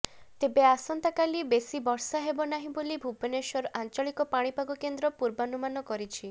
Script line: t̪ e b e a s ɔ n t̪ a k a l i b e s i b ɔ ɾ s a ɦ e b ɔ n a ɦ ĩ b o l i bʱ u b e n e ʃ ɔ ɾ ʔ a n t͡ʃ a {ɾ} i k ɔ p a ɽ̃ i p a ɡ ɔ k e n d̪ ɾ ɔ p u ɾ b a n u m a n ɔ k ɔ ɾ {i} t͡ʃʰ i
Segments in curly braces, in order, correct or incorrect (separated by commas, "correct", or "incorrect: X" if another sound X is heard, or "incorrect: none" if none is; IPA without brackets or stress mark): incorrect: ɭ, correct